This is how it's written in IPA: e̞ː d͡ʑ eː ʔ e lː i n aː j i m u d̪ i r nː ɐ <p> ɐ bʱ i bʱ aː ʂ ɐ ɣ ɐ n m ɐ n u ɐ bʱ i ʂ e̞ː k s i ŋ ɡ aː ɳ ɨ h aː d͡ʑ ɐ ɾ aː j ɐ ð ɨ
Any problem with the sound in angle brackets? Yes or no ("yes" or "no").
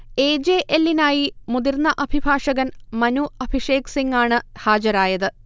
yes